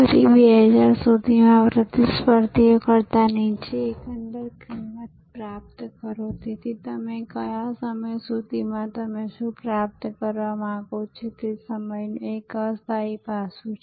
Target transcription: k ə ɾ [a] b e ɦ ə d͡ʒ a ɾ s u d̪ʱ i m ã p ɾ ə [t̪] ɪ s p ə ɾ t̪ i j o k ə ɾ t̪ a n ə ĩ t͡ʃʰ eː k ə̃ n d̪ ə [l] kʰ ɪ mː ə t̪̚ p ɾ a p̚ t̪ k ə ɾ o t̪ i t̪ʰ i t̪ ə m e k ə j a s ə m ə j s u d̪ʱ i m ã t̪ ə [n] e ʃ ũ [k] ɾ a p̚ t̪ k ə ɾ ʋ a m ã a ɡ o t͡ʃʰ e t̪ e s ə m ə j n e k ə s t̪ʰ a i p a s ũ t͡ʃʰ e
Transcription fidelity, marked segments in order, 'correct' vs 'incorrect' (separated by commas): incorrect, correct, incorrect, incorrect, incorrect